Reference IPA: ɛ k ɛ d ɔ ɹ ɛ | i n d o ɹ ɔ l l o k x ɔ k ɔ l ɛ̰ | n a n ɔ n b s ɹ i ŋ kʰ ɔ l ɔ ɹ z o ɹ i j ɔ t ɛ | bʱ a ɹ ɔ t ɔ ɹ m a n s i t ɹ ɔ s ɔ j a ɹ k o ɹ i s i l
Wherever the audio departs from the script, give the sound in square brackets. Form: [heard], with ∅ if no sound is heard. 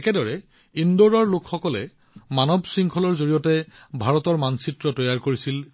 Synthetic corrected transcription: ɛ k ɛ d ɔ ɹ ɛ | i n d o ɹ ɔ [ɹ] l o k x ɔ k ɔ l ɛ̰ | [m] a n ɔ [∅] b s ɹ i ŋ kʰ ɔ l ɔ ɹ z o ɹ i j ɔ t ɛ | bʱ a ɹ ɔ t ɔ ɹ m a n s i t ɹ ɔ [t] ɔ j a ɹ k o ɹ i s i l